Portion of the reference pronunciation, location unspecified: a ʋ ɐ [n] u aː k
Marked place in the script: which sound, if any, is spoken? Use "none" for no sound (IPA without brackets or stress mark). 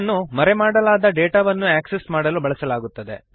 nː